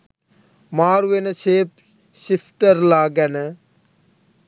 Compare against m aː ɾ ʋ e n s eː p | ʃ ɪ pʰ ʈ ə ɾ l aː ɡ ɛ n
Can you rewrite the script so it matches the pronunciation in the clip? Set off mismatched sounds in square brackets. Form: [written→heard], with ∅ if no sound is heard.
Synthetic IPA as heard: m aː ɾ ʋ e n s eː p | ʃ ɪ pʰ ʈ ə ɾ l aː ɡ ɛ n

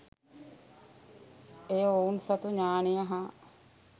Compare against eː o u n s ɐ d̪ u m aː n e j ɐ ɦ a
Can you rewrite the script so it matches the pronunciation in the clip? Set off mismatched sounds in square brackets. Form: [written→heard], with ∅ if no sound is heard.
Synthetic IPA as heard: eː o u n s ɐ [d̪→t̪] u [m→ɲ] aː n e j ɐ ɦ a

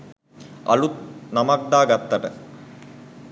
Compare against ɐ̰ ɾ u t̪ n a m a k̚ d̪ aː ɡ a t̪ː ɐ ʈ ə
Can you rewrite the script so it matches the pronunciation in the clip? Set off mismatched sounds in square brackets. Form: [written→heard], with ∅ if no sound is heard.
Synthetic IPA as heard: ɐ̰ [ɾ→l] u t̪ n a m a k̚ d̪ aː ɡ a t̪ː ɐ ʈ ə

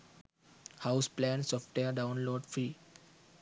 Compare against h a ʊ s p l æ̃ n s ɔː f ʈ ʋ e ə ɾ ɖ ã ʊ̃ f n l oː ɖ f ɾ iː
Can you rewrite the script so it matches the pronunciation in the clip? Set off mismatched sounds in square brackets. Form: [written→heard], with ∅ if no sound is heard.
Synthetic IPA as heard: h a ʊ s p l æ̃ n s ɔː f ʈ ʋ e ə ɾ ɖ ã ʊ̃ [f→∅] n l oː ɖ f ɾ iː

